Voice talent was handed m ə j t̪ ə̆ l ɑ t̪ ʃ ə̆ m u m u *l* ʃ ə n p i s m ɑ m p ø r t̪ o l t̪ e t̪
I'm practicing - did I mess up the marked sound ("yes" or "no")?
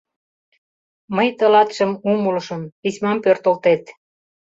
no